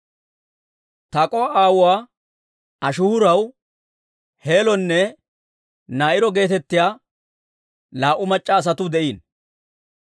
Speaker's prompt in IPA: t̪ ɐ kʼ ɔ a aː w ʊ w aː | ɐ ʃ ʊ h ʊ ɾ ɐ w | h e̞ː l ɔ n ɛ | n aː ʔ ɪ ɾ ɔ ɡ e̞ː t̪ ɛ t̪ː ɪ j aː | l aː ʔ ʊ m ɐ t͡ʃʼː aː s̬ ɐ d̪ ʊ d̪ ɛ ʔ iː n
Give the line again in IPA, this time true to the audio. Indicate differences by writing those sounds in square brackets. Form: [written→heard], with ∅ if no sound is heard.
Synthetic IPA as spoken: t̪ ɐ kʼ ɔ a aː w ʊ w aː | ɐ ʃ ʊ h ʊ ɾ ɐ w | h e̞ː l ɔ [n→nː] ɛ | n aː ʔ ɪ ɾ ɔ ɡ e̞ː t̪ ɛ t̪ː ɪ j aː | l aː ʔ ʊ m ɐ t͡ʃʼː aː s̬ ɐ [d̪→t̪] ʊ d̪ ɛ ʔ iː n